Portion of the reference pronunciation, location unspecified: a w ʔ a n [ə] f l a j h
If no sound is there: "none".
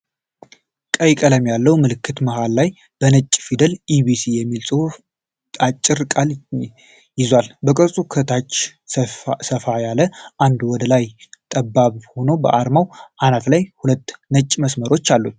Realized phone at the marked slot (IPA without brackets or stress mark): a